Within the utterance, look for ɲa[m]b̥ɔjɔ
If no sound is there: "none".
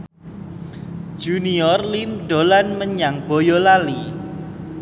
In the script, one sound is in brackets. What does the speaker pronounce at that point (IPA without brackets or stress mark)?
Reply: ŋ